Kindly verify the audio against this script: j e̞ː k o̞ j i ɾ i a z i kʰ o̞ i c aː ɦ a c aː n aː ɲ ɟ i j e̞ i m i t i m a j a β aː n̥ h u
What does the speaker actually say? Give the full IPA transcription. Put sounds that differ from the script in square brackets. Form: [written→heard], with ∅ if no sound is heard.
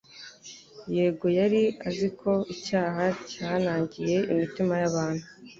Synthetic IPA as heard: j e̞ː [k→ɡ] o̞ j [i→a] ɾ i a z i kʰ o̞ i c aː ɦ a c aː n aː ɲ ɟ i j e̞ i m i t i m a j a β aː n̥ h u